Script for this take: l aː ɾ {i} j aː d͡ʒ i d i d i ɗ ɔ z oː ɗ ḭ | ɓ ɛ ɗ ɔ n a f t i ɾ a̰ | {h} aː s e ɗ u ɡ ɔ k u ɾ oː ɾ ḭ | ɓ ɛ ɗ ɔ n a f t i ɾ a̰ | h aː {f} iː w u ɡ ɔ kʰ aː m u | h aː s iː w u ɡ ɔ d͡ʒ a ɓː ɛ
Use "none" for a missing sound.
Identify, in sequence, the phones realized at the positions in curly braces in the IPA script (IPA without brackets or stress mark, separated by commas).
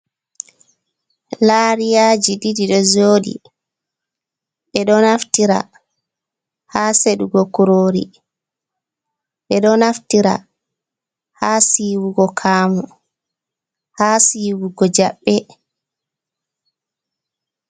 i, h, s